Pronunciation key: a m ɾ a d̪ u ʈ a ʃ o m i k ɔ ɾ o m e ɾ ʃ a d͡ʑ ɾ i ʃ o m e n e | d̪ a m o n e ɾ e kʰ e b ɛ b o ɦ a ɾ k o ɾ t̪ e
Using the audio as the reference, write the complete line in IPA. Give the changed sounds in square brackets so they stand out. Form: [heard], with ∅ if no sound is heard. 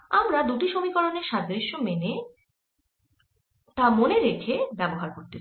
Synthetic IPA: a m ɾ a d̪ u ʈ [i] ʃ o m i k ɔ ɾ o [n] e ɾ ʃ a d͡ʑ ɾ i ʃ o m e n e | [t̪] a m o n e ɾ e kʰ e b ɛ b o ɦ a ɾ k o ɾ t̪ e